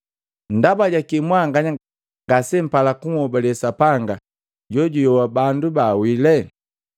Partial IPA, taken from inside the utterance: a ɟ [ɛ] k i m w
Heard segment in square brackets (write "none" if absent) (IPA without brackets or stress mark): a